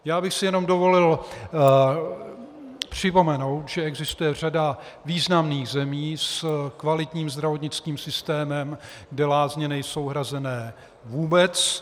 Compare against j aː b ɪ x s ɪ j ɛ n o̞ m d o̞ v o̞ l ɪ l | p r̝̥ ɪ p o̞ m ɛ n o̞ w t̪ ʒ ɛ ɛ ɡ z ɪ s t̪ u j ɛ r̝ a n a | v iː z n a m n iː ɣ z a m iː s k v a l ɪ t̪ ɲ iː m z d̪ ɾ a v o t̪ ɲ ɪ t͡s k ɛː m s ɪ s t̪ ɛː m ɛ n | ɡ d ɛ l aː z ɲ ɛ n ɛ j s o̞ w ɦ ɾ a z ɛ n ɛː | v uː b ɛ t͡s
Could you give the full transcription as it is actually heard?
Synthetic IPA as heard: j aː b ɪ x s ɪ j ɛ n o̞ m d o̞ v o̞ l ɪ l | p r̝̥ ɪ p o̞ m ɛ n o̞ w t̪ ʒ ɛ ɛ ɡ z ɪ s t̪ u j ɛ r̝ a d a | v iː z n a m n iː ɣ z ɛ m iː s k v a l ɪ t̪ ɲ iː m z d̪ ɾ a v o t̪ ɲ ɪ t͡s k iː m s ɪ s t̪ ɛː m ɛ m | ɡ d ɛ l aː z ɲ ɛ n ɛ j s o̞ w ɦ ɾ a z ɛ n ɛː | v uː b ɛ t͡s